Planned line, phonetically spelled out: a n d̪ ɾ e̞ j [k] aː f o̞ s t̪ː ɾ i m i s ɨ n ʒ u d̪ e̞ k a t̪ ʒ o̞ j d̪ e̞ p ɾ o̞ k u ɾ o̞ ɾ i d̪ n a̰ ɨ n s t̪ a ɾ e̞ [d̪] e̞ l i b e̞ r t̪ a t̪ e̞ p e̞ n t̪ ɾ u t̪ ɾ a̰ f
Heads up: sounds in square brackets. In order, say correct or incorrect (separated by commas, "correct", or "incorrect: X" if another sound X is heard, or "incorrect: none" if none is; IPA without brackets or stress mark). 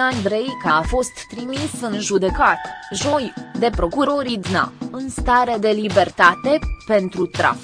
correct, correct